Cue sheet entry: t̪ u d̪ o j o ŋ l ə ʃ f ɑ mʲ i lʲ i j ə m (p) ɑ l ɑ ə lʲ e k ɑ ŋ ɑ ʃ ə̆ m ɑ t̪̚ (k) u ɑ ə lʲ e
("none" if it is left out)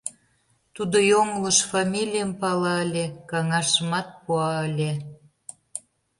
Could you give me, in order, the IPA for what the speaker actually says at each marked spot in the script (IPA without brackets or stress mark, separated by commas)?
p, p